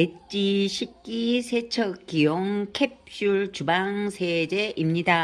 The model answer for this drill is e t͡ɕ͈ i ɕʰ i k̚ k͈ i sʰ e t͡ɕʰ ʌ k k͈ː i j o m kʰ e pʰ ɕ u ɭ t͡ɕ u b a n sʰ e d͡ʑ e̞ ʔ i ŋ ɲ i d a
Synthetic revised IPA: e t͡ɕ͈ i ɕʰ i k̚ k͈ i sʰ e t͡ɕʰ ʌ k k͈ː i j o ŋ kʰ e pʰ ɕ u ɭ t͡ɕ u b a ŋ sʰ e d͡ʑ e̞ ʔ i m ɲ i d a